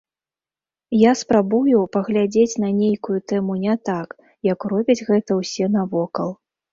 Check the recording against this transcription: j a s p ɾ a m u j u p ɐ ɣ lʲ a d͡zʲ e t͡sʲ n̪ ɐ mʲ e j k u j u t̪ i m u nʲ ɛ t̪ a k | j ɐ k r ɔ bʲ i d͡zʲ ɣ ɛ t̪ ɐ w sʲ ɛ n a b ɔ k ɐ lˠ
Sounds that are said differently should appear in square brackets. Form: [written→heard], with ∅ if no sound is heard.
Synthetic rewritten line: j a s p ɾ a [m→b] u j u p ɐ ɣ lʲ a d͡zʲ e t͡sʲ n̪ ɐ [mʲ→nʲ] e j k u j u t̪ [i→ɛ] m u nʲ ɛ t̪ a k | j ɐ k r ɔ bʲ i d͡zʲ ɣ ɛ t̪ ɐ w sʲ ɛ n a [b→v] ɔ k ɐ lˠ